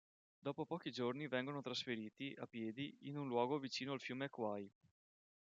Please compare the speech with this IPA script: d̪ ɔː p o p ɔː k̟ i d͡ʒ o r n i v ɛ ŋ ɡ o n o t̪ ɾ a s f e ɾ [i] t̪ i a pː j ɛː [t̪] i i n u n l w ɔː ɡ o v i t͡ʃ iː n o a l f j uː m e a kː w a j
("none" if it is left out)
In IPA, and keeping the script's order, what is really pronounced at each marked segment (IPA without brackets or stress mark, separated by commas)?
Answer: iː, d̪